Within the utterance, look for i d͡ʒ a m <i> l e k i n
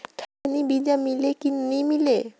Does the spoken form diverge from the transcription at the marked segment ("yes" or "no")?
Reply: no